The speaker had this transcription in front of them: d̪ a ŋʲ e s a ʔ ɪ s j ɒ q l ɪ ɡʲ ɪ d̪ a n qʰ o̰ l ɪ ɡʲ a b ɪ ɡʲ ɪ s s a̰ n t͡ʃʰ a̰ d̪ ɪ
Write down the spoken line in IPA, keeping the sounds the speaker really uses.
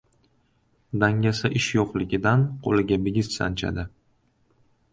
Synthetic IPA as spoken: d̪ a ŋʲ a s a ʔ ɪ ʃ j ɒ q l ɪ ɡʲ ɪ d̪ a n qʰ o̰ l ɪ ɡʲ a b ɪ ɡʲ ɪ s s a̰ n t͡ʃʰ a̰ d̪ ɪ